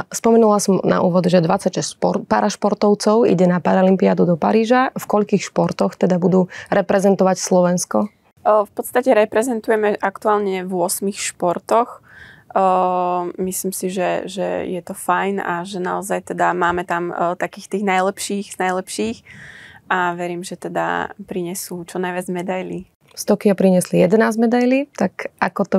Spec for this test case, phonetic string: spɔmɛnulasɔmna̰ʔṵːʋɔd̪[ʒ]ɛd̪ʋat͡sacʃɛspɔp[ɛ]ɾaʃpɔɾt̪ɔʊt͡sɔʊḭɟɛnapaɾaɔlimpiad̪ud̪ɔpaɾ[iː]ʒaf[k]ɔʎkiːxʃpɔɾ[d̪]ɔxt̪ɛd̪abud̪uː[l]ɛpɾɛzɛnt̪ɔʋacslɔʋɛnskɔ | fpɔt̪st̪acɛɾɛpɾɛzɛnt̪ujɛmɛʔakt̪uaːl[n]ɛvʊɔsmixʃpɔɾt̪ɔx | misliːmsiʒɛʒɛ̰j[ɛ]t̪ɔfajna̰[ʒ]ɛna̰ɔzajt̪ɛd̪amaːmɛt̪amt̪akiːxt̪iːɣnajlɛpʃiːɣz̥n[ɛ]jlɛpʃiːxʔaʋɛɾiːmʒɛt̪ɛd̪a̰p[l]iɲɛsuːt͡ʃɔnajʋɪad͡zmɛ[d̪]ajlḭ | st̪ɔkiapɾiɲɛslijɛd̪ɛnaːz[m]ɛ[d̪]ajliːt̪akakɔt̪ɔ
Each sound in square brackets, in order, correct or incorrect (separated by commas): correct, incorrect, correct, correct, incorrect, incorrect, incorrect, correct, correct, incorrect, incorrect, correct, correct, correct